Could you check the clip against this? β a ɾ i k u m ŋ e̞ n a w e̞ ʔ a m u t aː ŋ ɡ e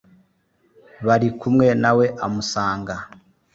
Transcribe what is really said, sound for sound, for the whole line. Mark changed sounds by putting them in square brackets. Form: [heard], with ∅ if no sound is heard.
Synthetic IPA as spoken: β a ɾ i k u m ŋ e̞ n a w e̞ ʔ a m u [s] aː ŋ ɡ [a]